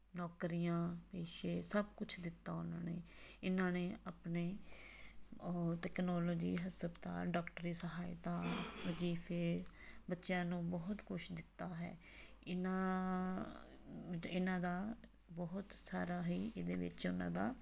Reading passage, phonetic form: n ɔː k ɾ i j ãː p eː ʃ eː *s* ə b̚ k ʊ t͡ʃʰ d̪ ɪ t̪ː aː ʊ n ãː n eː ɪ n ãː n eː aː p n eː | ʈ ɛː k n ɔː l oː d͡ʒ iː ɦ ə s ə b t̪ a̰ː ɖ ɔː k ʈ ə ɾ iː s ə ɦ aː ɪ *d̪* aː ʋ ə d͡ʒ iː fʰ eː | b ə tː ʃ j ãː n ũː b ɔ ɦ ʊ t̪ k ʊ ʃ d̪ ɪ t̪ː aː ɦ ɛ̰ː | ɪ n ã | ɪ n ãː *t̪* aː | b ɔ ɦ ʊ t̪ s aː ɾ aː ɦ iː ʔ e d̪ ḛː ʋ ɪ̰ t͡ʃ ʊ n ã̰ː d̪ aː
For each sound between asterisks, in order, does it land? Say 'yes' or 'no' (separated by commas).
yes, no, no